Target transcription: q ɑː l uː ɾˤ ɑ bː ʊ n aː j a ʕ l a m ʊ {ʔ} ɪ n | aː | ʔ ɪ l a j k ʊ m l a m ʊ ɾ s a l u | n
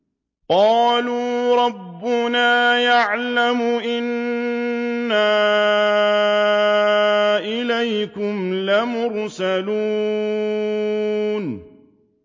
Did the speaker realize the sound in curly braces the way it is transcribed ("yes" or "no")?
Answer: yes